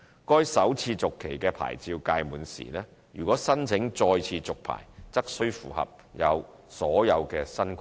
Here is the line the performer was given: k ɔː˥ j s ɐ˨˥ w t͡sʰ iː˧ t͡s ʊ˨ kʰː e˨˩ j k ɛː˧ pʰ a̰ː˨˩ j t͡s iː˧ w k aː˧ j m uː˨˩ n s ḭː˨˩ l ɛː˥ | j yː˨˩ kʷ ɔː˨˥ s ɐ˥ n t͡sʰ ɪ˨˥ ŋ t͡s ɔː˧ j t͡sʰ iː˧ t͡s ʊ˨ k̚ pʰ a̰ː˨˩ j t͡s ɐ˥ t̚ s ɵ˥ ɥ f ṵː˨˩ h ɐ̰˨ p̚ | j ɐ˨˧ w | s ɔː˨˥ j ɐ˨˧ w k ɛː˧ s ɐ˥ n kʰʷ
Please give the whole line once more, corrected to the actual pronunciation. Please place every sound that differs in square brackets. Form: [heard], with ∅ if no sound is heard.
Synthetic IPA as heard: k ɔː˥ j s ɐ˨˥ w t͡sʰ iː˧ t͡s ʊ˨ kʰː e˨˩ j k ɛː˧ pʰ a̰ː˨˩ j t͡s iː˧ w k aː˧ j m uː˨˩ n s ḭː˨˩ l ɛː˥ | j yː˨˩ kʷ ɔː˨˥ s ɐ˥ n t͡sʰ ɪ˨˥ ŋ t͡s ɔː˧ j t͡sʰ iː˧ t͡s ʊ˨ k̚ pʰ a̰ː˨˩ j t͡s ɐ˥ [k̚] s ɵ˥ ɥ f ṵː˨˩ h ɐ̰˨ p̚ | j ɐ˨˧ w | s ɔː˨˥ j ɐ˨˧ w k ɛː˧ s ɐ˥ n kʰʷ